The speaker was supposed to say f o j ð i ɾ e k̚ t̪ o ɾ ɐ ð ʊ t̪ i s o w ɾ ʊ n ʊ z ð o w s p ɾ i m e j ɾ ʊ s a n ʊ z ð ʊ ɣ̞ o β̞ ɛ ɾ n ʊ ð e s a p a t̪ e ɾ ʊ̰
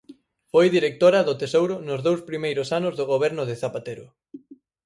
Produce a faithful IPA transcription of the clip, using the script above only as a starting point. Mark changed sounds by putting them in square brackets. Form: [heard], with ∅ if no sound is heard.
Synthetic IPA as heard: f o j ð i ɾ e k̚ t̪ o ɾ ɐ ð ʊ t̪ [e] s o w ɾ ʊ n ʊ z ð o w s p ɾ i m e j ɾ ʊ s a n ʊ z ð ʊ ɣ̞ o β̞ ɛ ɾ n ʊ ð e [θ] a p a t̪ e ɾ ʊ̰

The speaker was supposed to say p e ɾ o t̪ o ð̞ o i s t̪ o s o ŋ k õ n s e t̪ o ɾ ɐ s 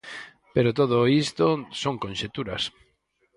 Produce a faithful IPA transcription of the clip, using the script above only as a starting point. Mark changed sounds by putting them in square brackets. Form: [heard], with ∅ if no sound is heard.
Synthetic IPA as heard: p e ɾ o t̪ o ð̞ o i s t̪ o s o ŋ k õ n [ʃ] e t̪ [u] ɾ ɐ s

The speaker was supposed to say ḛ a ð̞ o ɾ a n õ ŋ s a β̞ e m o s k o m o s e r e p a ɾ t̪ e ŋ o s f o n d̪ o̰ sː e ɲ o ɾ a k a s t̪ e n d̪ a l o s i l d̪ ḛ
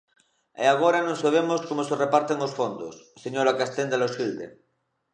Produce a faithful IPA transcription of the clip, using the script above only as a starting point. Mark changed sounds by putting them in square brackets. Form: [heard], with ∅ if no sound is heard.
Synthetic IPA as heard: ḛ a [ɣ̞] o ɾ a n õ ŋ s a β̞ e m o s k o m o s e r e p a ɾ t̪ e ŋ o s f o n d̪ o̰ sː e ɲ o ɾ a k a s t̪ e n d̪ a l o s i l d̪ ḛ

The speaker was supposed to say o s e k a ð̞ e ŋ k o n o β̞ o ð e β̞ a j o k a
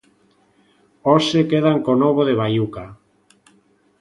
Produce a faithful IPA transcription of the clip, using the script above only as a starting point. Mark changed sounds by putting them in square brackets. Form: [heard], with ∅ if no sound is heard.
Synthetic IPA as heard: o s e k [e] ð̞ [a] ŋ k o n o β̞ o ð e β̞ a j [u] k a

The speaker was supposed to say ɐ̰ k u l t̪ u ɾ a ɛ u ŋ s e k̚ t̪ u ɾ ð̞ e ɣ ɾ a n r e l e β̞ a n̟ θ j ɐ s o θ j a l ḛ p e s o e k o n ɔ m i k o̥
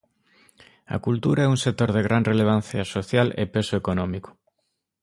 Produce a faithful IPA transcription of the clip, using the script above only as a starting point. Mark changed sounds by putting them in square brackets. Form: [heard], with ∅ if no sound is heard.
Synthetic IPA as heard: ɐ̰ k u l t̪ u ɾ a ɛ u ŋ s e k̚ t̪ [o] ɾ ð̞ e ɣ ɾ a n r e l e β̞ a n̟ θ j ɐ s o θ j a l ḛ p e s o e k o n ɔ m i k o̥

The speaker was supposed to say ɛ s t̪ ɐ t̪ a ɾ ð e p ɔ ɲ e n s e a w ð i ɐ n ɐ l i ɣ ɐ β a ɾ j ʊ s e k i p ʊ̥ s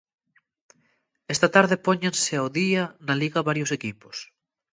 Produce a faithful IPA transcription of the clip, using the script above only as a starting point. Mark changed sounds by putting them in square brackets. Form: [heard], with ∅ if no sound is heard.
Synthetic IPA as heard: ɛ s t̪ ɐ t̪ a ɾ ð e p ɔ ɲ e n s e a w ð i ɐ n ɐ l i ɣ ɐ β a ɾ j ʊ s e k i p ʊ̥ s

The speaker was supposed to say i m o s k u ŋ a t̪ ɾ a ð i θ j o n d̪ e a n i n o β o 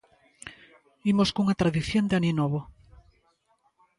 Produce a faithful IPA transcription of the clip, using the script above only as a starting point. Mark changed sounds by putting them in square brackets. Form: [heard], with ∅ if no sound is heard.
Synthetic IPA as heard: i m o s k u ŋ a t̪ ɾ a ð i θ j o n d̪ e a n i n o β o

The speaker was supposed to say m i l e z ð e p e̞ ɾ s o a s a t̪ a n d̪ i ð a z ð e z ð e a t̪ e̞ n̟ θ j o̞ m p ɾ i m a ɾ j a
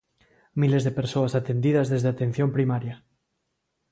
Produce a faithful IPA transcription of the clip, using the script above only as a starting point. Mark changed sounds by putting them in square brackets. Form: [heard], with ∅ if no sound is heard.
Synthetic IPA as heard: m i l e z ð e p e̞ ɾ s o a s a t̪ [e] n d̪ i ð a z ð e z ð e a t̪ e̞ n̟ θ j o̞ m p ɾ i m a ɾ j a

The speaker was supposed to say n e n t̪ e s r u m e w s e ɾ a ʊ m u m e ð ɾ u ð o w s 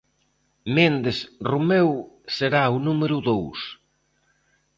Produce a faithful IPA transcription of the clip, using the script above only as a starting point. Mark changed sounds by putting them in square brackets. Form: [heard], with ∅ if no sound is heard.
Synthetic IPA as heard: [m] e n [d̪] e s r u m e w s e ɾ a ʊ [n] u m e [∅] ɾ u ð o w s

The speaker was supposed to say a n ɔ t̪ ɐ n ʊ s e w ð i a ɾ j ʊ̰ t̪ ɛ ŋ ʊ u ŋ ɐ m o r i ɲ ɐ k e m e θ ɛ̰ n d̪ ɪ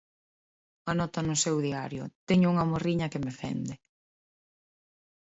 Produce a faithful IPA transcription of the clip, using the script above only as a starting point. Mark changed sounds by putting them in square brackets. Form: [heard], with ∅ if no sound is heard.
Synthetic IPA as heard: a n ɔ t̪ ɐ n ʊ s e w ð i a ɾ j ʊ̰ t̪ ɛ [ɲ] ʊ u ŋ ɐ m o r i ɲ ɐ k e m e [f] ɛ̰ n d̪ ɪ

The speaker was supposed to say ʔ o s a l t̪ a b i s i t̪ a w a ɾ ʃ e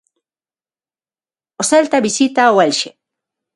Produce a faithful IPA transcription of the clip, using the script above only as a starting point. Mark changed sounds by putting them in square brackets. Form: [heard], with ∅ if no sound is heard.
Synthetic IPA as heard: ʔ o s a l t̪ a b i s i t̪ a w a [l] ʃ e

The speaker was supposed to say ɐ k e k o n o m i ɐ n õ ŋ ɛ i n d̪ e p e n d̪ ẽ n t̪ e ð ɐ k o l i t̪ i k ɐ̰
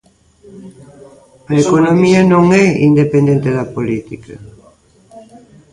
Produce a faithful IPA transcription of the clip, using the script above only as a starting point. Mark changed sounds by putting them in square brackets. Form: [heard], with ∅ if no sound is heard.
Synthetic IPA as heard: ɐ [∅] e k o n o m i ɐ n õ ŋ ɛ i n d̪ e p e n d̪ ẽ n t̪ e ð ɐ [p] o l i t̪ i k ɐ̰

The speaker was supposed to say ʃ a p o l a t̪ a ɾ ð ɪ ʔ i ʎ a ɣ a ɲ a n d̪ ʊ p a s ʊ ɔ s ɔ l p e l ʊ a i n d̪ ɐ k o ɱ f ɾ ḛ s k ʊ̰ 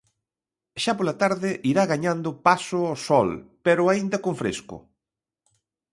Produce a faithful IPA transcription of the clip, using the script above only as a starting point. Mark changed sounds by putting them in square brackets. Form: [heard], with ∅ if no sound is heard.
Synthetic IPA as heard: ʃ a p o l a t̪ a ɾ ð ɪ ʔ i [ɾ] a ɣ a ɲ a n d̪ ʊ p a s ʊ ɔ s ɔ l p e [ɾ] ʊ a i n d̪ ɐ k o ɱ f ɾ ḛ s k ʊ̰

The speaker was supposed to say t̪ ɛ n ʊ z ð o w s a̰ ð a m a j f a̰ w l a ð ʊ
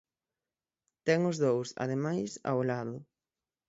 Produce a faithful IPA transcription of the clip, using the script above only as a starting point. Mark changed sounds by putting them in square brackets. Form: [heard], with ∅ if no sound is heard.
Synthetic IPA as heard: t̪ ɛ [ŋ] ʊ z ð o w s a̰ ð [e] m a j [s] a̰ w l a ð ʊ

